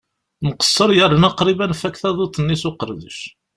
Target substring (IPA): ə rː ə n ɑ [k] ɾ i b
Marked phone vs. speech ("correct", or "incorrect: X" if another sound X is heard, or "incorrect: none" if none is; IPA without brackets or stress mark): incorrect: q